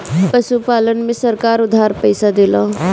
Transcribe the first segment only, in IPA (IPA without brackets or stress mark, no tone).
p